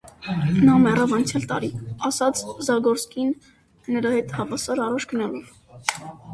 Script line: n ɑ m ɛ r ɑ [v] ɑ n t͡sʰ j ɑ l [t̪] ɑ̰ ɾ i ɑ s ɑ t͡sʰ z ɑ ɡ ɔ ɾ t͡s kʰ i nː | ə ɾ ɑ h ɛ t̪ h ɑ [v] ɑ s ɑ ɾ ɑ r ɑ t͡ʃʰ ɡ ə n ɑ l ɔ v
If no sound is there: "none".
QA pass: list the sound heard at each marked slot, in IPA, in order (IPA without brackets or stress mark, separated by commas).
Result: v, t̪, v